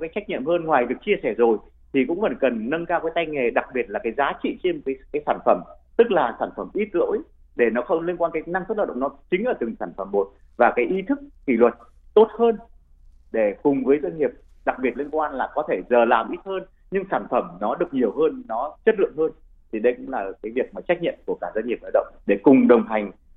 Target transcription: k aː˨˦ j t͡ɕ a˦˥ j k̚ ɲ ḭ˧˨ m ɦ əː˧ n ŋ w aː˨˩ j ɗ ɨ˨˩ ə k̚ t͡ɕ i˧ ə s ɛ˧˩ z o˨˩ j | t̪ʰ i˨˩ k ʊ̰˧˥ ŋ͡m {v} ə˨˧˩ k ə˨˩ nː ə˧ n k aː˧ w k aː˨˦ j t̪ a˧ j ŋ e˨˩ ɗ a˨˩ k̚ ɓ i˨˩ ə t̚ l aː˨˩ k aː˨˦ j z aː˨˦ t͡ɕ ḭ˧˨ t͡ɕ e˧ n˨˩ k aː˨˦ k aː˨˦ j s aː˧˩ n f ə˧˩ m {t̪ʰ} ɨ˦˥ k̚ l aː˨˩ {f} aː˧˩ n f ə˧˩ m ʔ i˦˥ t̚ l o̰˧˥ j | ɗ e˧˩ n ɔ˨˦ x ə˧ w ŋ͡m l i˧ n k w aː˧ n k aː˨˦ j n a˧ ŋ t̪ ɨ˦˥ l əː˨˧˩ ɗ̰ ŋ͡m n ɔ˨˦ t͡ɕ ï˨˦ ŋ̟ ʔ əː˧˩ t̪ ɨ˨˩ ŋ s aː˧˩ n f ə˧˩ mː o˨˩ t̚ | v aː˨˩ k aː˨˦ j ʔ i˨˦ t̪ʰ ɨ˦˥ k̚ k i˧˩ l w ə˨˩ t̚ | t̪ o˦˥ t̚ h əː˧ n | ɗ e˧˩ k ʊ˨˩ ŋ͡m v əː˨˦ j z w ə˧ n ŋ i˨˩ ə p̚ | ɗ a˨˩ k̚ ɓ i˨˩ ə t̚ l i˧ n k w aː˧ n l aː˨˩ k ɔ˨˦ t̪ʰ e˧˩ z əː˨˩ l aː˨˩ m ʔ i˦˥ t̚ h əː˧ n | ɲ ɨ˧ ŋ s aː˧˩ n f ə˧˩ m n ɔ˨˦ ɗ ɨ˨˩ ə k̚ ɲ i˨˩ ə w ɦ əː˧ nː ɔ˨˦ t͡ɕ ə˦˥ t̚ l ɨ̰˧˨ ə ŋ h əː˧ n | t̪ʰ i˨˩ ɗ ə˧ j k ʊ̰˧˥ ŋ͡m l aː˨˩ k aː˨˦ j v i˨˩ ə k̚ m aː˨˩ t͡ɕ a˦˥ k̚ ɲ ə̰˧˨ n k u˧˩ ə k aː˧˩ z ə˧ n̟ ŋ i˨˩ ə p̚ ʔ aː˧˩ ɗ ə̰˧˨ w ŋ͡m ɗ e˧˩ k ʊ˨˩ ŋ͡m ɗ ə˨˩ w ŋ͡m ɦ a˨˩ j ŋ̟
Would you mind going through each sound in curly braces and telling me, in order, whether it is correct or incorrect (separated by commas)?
correct, incorrect, incorrect